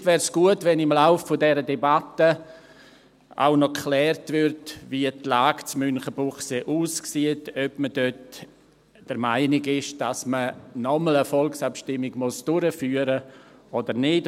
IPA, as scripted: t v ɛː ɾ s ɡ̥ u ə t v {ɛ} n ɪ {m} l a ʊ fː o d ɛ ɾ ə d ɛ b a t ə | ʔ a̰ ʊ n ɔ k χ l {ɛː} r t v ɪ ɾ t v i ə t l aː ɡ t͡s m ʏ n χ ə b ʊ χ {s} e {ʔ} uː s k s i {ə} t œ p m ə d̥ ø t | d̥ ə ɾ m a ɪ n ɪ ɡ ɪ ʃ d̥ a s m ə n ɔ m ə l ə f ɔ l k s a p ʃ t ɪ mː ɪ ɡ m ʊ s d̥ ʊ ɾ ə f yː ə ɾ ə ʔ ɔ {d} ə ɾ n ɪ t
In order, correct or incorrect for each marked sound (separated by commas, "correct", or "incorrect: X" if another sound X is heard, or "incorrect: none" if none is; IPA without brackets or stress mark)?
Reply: correct, correct, correct, correct, correct, correct, correct